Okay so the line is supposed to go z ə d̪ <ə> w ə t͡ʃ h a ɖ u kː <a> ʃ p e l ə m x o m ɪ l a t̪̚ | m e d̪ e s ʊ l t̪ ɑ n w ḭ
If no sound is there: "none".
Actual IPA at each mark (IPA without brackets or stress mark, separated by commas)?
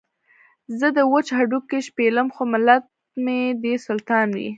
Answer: ə, e